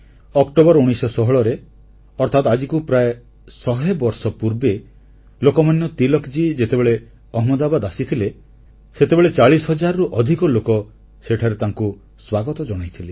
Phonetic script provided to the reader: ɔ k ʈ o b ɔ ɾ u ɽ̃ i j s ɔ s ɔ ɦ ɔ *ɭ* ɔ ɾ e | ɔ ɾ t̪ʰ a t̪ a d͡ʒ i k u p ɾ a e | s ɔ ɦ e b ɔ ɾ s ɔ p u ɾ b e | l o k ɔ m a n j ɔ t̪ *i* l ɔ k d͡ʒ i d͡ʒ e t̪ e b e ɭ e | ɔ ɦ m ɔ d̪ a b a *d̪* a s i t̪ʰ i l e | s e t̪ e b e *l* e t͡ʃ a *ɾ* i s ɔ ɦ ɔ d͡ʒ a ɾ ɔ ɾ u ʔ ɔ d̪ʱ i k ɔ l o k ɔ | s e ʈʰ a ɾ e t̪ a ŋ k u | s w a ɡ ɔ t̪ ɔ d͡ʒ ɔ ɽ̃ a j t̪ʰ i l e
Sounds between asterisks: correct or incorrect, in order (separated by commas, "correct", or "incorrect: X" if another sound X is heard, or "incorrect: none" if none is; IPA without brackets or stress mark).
correct, correct, correct, incorrect: ɭ, incorrect: ɭ